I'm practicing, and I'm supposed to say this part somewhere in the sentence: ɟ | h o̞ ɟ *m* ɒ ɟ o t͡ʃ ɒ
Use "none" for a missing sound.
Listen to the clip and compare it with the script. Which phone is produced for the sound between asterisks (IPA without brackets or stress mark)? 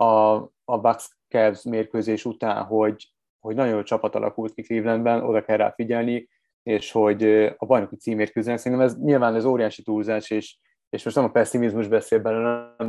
n